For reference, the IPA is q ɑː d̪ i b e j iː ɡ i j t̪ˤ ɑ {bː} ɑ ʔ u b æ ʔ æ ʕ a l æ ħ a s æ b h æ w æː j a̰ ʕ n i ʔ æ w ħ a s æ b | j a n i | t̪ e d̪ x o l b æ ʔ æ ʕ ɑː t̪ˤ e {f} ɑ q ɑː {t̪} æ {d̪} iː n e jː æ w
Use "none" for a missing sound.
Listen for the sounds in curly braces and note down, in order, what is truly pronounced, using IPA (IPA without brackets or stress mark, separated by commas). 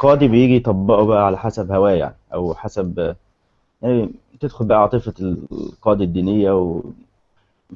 bː, f, d̪, d̪ː